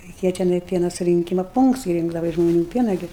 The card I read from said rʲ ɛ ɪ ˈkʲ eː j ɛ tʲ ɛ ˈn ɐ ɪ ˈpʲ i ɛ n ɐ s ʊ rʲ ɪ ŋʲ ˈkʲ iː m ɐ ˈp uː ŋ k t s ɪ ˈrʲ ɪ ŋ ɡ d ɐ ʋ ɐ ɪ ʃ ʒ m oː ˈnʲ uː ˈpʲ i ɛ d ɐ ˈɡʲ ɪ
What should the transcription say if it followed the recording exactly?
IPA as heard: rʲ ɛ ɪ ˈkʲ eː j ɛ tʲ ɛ ˈn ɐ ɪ ˈpʲ i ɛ n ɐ s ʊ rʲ ɪ ŋʲ ˈkʲ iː m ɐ ˈp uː ŋ k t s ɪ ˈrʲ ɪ ŋ ɡ d ɐ ʋ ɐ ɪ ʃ ʒ m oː ˈnʲ uː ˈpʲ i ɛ n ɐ ˈɡʲ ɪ